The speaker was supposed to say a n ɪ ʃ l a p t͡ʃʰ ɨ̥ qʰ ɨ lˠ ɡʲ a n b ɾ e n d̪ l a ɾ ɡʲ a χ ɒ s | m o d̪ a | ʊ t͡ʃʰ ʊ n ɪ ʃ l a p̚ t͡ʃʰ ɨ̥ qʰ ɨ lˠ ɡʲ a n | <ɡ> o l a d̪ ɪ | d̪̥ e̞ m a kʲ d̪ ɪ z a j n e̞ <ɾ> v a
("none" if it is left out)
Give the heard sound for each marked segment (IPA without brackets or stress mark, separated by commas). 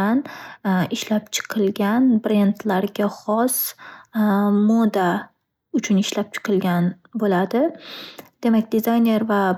b, ɾ